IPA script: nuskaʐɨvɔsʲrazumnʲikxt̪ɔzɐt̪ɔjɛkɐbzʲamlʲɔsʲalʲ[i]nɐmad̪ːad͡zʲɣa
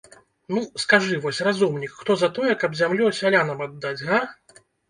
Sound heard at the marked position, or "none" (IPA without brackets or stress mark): a